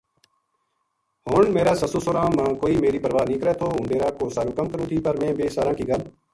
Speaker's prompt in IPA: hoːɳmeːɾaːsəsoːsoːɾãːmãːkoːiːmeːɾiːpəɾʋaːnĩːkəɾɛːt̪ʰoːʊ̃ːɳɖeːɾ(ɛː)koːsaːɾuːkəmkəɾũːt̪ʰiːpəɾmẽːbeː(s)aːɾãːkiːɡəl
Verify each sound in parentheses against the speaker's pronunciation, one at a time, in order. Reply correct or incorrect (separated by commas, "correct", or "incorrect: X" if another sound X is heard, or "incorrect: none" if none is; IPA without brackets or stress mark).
incorrect: aː, correct